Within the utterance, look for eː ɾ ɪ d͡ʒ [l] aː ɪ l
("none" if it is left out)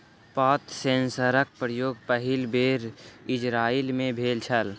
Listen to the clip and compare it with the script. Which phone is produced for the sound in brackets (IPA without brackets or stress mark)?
ɾ